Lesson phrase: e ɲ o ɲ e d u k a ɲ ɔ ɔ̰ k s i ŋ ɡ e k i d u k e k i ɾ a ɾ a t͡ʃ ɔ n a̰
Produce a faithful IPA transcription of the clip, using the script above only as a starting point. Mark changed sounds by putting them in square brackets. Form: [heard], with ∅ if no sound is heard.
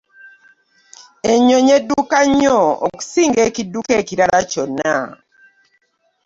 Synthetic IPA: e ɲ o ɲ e d u k a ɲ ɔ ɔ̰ k s i ŋ ɡ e k i d u k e k i ɾ a ɾ a t͡ʃ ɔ n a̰